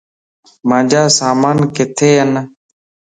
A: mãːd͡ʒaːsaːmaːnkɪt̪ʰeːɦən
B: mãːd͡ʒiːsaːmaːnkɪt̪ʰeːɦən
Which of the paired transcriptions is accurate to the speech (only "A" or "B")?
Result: A